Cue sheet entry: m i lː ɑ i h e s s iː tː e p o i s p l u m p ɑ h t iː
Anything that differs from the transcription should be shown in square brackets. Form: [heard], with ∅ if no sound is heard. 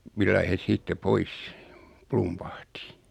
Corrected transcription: m i lː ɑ i h e s s iː tː e p o i s p l u m p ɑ h t [i]